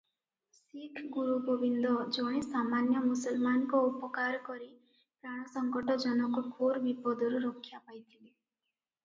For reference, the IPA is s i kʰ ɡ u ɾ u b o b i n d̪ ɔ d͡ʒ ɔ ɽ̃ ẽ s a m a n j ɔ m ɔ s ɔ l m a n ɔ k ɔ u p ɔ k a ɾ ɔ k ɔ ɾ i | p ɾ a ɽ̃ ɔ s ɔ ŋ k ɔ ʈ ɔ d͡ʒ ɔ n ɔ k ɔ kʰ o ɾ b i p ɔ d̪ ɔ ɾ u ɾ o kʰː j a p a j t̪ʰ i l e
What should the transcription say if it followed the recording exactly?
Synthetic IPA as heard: s i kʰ ɡ u ɾ u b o b i n d̪ ɔ d͡ʒ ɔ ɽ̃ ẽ s a m a n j ɔ m u s ɔ l m a n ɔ k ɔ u p ɔ k a ɾ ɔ k ɔ ɾ i | p ɾ a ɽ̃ ɔ s ɔ ŋ k ɔ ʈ ɔ d͡ʒ ɔ n ɔ k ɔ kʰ o ɾ b i p ɔ d̪ ɔ ɾ u ɾ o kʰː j a p a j t̪ʰ i l e

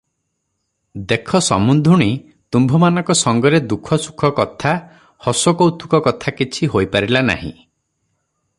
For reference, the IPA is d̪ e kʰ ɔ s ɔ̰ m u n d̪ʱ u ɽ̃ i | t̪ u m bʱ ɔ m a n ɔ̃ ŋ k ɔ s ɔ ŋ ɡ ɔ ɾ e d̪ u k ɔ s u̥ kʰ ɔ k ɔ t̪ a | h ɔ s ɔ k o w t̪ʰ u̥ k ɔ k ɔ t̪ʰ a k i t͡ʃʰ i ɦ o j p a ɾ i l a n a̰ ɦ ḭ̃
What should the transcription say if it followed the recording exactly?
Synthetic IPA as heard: d̪ e kʰ ɔ s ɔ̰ m u n d̪ʱ u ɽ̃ i | t̪ u m bʱ ɔ m a n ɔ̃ ŋ k ɔ s ɔ ŋ ɡ ɔ ɾ e d̪ u kʰ ɔ s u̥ kʰ ɔ k ɔ t̪ʰ a | h ɔ s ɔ k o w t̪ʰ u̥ k ɔ k ɔ t̪ʰ a k i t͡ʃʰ i ɦ o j p a ɾ i l a n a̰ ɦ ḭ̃

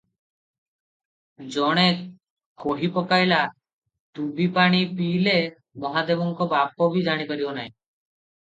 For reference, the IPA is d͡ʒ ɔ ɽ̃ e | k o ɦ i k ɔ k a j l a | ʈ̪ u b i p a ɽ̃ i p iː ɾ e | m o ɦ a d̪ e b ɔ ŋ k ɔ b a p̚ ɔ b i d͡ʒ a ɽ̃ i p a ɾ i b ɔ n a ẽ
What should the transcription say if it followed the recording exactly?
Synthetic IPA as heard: d͡ʒ ɔ ɽ̃ e | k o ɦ i p ɔ k a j l a | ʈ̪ u b i p a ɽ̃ i p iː l e | m ɔ ɦ a d̪ e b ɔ ŋ k ɔ b a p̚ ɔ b i d͡ʒ a ɽ̃ i p a ɾ i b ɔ n a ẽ

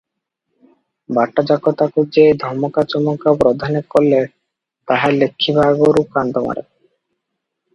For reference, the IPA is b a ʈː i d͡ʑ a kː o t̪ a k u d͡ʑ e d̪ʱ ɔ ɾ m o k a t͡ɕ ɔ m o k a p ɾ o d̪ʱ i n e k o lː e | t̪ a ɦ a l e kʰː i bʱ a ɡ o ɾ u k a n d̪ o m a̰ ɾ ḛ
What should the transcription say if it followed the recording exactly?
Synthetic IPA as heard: b a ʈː a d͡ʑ a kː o t̪ a k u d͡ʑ e d̪ʱ ɔ ɾ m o k a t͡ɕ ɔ m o k a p ɾ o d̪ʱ a n e k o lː e | t̪ a ɦ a l e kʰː i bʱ a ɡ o ɾ u k a n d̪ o m a̰ ɾ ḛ

